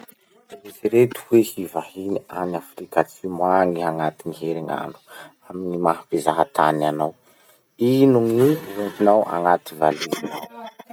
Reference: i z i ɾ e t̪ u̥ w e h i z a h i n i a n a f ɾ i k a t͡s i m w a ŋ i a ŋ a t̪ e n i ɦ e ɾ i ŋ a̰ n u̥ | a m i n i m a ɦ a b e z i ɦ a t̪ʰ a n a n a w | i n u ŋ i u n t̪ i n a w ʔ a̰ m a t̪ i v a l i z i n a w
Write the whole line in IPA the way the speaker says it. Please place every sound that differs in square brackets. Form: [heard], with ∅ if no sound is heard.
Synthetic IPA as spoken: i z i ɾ e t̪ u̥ w e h i [v] a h i n i a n a f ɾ i k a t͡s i m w a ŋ i a ŋ a t̪ [i] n i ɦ e ɾ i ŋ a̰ n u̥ | a m i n i m a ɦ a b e z [a] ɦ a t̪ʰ a n a n a w | i n u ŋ i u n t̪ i n a w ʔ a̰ [ŋ] a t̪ i v a l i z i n a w

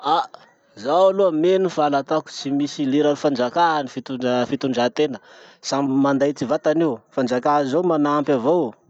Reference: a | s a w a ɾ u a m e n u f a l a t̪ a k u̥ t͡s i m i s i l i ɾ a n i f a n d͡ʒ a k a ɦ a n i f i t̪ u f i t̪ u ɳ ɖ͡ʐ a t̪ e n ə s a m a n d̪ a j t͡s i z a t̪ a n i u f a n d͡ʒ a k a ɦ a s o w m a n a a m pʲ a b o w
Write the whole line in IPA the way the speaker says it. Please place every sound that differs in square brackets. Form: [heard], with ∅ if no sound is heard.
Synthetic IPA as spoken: a | [z] a w a [l] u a m e n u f a l a t̪ a k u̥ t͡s i m i s i l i ɾ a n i f a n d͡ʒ a k a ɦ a n i f i t̪ u f i t̪ u ɳ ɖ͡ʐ a t̪ e n ə s a m a n d̪ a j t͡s i [v] a t̪ a n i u f a n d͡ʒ a k a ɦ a [z] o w m a n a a m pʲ a [v] o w

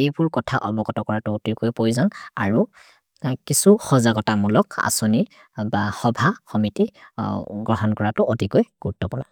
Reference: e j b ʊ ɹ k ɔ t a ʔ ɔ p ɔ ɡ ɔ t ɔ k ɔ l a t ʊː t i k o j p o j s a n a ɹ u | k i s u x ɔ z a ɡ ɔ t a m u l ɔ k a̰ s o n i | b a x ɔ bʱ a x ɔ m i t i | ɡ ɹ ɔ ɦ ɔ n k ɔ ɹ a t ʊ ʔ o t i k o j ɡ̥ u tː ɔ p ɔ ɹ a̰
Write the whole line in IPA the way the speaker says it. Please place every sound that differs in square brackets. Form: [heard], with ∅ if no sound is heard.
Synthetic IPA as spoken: e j b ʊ ɹ k ɔ [tʰ] a ʔ ɔ [b] ɔ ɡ ɔ t ɔ k ɔ [ɹ] a t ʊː t i k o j p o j [z] a n a ɹ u | k i s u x ɔ z a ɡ ɔ t a m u l ɔ k a̰ s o n i | b a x ɔ bʱ a x ɔ m i t i | ɡ ɹ ɔ ɦ ɔ n k ɔ ɹ a t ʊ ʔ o t i k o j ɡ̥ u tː ɔ p ɔ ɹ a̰

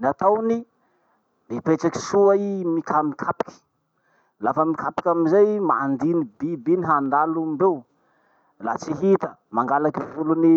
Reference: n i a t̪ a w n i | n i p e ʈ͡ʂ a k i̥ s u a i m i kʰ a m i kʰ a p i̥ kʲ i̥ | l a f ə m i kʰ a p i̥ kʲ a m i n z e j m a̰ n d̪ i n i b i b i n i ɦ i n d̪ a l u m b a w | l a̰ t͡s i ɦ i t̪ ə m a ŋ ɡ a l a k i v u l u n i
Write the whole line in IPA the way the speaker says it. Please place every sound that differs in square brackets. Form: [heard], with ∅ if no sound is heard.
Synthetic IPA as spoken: n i a t̪ a w n i | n i p e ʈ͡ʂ a k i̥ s u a i m i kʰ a m i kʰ a p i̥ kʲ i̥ | l a f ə m i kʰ a p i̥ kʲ a m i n z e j m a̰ n d̪ i n i b i b i n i ɦ [a] n d̪ a l u m b [e] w | l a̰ t͡s i ɦ i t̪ ə m a ŋ ɡ a l a k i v u l u n i

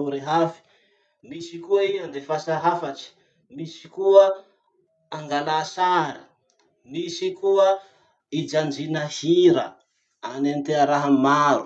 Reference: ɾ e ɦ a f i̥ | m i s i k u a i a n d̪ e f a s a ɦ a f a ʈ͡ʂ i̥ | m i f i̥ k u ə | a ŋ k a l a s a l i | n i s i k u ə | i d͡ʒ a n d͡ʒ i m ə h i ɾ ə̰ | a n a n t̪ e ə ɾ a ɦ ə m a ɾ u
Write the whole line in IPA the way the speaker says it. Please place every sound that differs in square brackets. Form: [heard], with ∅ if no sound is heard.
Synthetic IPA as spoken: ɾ e ɦ a f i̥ | m i s i k u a i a n d̪ e f a s a ɦ a f a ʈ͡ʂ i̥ | m i [s] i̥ k u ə | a ŋ [ɡ] a l a s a [ɾ] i | [m] i s i k u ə | i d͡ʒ a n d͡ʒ i [n] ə h i ɾ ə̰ | a n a n t̪ e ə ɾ a ɦ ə m a ɾ u

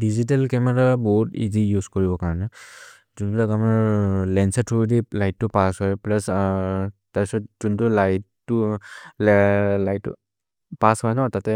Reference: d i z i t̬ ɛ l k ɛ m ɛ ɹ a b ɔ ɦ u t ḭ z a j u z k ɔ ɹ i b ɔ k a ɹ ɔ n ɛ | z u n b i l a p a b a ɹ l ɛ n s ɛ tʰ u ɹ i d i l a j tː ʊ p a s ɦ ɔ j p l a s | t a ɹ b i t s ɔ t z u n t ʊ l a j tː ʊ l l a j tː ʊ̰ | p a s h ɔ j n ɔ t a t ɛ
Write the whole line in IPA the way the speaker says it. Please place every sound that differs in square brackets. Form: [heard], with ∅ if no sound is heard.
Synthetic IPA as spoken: d i z i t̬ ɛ l k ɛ m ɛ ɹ a b ɔ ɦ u t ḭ z [i] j u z k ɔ ɹ i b ɔ k a ɹ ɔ n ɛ | z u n b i l a [k] a [m] a ɹ l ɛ n s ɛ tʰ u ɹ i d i l a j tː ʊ p a s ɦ ɔ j p l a s | t a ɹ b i [∅] s ɔ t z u n t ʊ l a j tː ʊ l l a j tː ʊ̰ | p a s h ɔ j n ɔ t a t ɛ

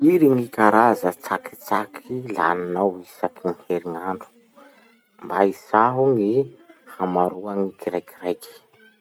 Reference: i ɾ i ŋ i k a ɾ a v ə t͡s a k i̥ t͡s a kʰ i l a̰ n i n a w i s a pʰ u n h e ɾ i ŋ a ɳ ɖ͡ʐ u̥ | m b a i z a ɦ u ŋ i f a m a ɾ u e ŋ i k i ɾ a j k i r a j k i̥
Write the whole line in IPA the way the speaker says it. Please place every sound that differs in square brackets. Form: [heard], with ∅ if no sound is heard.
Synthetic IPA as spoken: i ɾ i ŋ i k a ɾ a [z] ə t͡s a k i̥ t͡s a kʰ i l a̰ n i n a w i s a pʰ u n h e ɾ i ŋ a ɳ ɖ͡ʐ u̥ | m b a i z a ɦ u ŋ i [h] a m a ɾ u [a] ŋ i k i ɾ a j k i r a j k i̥

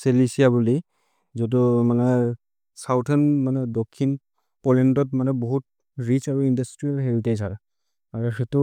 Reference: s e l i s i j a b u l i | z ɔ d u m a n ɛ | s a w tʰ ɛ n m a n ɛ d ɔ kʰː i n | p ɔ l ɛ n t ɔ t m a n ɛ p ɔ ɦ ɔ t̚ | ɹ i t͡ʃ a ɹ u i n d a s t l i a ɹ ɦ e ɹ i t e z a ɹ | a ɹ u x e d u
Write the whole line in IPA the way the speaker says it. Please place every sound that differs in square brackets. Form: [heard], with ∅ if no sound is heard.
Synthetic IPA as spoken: s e l i s i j a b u l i | z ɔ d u m a n ɛ | s a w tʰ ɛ n m a n ɛ d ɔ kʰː i n | p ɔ l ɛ n t ɔ t m a n ɛ [b] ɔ ɦ [u] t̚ | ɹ i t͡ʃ a ɹ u i n d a s t [ɹ] i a [l] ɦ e ɹ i t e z a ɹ | a ɹ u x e [t] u

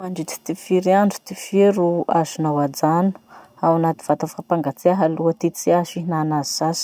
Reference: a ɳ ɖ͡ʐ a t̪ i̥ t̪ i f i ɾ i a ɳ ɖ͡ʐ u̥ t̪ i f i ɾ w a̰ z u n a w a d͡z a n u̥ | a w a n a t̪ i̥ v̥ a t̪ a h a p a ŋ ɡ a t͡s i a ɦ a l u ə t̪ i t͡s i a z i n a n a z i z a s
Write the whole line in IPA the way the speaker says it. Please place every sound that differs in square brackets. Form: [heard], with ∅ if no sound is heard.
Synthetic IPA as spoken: a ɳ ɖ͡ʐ [i] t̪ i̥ t̪ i f i ɾ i a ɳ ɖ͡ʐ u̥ t̪ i f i ɾ [u] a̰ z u n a w a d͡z a n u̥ | a w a n a t̪ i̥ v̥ a t̪ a [f] a p a ŋ ɡ a t͡s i a ɦ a l u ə t̪ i t͡s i a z i n a n a z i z a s

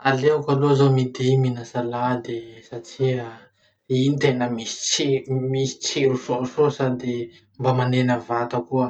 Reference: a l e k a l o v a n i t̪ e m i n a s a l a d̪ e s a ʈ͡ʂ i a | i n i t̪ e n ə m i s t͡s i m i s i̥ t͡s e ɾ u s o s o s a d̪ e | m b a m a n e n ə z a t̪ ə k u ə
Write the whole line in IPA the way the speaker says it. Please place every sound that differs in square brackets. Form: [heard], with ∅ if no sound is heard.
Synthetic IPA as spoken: a l e k a l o [z] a [m] i [d̪] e m i n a s a l a d̪ e s a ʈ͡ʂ i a | i n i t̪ e n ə m i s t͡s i m i s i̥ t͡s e ɾ u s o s o s a d̪ e | m b a m a n e n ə [v] a t̪ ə k u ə

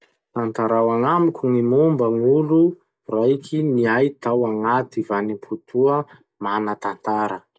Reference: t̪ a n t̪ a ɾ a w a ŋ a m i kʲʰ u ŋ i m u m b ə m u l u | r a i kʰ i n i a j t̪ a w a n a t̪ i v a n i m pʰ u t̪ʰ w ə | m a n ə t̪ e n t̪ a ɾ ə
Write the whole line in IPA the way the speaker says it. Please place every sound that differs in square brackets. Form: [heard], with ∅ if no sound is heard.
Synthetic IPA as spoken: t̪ a n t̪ a ɾ a w a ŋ a m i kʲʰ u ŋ i m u m b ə [ŋ] u l u | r a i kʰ i n i a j t̪ a w a [ŋ] a t̪ i v a n i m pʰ u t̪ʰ [u] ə | m a n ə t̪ [a] n t̪ a ɾ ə

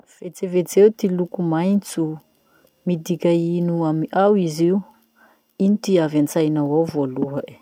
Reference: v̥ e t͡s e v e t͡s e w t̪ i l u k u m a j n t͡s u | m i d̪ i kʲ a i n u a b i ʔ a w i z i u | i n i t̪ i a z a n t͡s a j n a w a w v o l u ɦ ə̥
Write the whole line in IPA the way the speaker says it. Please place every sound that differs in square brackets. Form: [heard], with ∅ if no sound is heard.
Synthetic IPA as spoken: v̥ e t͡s e v e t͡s e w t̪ i l u k u m a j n t͡s u | m i d̪ i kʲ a i n u a [m] i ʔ a w i z i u | i n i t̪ i a [v] a n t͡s a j n a w a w v o l u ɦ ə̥

